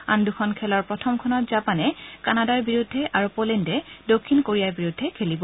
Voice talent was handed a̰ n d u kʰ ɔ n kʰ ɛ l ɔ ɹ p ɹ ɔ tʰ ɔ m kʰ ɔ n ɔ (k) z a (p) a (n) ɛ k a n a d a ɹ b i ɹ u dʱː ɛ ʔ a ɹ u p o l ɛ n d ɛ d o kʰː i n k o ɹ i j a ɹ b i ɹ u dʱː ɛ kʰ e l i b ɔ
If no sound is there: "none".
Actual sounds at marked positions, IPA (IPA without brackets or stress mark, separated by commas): t, p, n